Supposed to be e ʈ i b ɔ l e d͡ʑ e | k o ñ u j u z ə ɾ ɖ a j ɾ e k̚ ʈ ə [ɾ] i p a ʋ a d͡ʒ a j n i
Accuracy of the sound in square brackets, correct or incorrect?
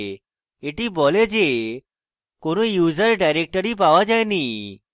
correct